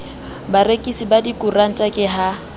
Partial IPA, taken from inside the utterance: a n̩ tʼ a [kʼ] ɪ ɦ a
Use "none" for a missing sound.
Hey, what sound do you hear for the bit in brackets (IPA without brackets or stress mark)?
kʼ